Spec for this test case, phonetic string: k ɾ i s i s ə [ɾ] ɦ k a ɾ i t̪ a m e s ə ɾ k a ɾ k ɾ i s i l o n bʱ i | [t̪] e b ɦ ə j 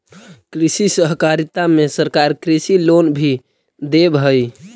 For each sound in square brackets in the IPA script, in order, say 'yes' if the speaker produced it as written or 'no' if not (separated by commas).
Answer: no, no